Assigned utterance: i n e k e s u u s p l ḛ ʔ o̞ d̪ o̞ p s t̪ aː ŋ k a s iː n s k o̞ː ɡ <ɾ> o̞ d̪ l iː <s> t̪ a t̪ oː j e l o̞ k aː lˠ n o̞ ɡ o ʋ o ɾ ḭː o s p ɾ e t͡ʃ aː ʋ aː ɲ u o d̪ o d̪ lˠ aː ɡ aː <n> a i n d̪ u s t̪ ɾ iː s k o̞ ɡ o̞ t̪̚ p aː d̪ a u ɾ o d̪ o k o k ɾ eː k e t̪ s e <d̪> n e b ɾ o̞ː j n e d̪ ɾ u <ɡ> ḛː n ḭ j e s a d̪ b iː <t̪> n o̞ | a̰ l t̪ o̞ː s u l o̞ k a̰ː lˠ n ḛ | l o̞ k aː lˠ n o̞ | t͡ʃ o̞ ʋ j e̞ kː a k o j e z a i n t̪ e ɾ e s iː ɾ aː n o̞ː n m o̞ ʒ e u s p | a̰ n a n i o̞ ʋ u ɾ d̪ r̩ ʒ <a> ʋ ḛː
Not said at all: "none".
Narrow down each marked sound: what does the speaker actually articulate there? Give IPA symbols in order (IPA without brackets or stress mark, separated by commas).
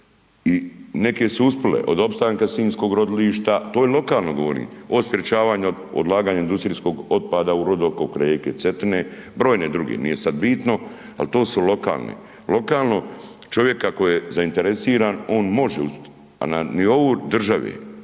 ɾ, ʃ, ɲ, t̪, ɡ, t̪, a